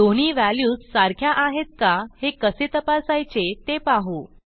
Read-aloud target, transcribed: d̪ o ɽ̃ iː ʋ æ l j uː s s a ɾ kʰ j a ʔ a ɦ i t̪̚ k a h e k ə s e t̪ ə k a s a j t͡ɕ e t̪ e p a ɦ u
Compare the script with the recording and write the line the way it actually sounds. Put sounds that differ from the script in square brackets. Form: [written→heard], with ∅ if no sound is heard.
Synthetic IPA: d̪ o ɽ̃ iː ʋ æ l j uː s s a ɾ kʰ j a ʔ a ɦ [i→e] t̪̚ k a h e k ə s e t̪ ə [k→p] a s a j t͡ɕ e t̪ e p a ɦ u